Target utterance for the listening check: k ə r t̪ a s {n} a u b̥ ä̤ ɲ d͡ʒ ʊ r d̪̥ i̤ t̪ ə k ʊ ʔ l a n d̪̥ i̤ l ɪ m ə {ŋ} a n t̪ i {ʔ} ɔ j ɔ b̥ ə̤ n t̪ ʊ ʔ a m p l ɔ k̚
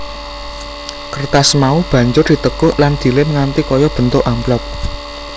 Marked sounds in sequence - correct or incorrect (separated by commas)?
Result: incorrect, correct, incorrect